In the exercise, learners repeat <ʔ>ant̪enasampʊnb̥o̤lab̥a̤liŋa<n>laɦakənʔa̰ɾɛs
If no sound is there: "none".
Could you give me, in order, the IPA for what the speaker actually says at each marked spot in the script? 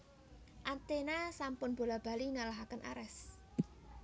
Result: ʔ, none

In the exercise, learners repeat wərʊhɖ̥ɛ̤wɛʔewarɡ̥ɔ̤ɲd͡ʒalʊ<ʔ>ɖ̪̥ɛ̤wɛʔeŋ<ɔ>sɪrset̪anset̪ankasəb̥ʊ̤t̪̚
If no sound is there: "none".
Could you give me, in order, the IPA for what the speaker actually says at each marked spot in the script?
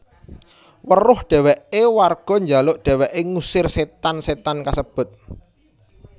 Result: ʔ, u

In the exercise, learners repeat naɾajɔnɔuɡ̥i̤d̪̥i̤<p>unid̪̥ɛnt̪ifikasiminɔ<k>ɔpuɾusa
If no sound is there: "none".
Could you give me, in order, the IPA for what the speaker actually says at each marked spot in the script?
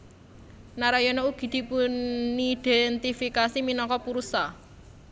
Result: p, k

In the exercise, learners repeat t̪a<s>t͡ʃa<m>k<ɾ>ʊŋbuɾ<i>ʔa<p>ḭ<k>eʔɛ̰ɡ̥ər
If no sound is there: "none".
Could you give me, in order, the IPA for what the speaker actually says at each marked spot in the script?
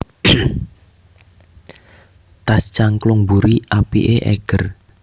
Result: s, ŋ, l, i, p, ʔ

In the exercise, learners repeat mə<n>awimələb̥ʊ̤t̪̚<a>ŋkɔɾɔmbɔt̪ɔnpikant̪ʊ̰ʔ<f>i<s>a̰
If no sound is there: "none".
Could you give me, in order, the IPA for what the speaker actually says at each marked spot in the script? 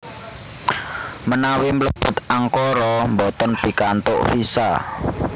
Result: n, a, f, s

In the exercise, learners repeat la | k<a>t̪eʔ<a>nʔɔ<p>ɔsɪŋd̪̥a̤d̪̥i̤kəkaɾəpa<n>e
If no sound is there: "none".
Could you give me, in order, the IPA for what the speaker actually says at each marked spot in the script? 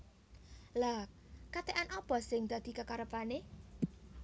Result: a, a, p, n

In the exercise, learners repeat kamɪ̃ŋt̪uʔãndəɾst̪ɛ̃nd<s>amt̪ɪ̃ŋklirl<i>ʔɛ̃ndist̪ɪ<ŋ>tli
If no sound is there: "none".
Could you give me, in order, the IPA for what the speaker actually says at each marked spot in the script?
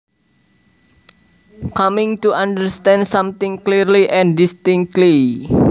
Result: s, i, ŋ

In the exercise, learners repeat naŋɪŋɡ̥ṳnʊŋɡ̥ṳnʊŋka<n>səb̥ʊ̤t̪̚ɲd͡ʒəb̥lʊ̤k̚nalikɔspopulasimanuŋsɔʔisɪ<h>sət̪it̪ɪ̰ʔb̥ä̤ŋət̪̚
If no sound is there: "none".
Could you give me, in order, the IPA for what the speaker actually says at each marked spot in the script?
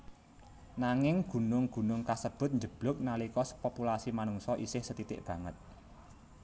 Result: none, h

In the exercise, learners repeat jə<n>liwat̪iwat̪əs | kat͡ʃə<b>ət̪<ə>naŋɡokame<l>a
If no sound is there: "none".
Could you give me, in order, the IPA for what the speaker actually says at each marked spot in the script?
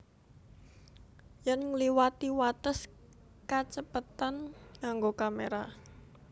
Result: n, p, a, ɾ

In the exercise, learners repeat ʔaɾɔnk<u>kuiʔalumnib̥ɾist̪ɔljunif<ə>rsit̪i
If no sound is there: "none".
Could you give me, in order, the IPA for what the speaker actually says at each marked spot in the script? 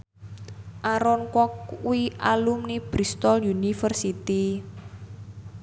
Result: ɔ, ə

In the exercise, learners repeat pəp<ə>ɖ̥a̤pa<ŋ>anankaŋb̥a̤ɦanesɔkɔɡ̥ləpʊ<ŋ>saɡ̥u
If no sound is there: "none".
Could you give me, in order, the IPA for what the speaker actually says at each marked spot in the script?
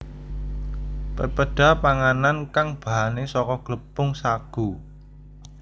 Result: ə, ŋ, ŋ

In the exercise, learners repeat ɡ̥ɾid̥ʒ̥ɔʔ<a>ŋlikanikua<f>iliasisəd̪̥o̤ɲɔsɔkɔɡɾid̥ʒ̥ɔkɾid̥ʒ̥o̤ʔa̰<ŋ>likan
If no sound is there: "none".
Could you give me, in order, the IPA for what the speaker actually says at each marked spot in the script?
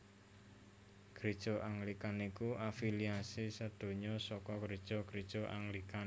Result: a, f, ŋ

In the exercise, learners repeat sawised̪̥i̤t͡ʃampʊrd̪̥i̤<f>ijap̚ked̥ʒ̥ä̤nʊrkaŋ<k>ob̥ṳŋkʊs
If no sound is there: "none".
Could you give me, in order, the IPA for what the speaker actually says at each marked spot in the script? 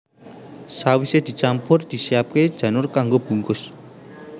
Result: s, ɡ

